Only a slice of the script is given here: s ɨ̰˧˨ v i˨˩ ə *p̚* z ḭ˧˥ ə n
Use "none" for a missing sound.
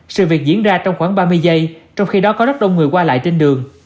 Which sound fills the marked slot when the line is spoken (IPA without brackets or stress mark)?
k̚